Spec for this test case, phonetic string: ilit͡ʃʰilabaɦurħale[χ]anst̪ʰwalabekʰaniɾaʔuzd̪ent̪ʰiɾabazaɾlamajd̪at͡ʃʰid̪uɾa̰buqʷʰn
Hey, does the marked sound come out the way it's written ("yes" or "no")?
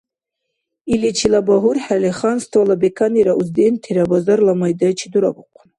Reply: yes